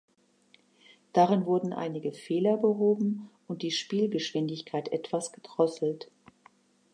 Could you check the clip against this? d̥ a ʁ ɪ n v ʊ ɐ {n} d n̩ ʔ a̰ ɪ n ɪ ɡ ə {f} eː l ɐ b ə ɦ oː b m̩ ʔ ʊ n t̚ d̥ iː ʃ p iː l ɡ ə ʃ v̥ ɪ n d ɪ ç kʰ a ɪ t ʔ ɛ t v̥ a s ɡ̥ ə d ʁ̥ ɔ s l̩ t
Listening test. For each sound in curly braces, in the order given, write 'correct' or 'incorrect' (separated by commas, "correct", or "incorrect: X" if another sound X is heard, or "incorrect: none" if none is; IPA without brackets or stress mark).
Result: incorrect: none, correct